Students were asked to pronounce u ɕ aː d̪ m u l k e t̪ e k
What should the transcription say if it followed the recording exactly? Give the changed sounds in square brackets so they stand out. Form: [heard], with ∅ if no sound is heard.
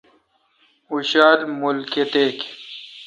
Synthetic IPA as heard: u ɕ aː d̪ m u l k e t̪ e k